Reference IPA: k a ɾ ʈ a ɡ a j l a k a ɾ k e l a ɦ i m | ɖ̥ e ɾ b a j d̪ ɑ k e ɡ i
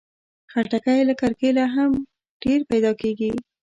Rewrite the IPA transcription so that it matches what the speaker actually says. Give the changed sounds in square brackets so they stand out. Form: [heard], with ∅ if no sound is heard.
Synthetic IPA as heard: [x] a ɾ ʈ a [k] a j l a k a ɾ k e l a ɦ [a] m | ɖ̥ e ɾ [p] a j d̪ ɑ k e ɡ i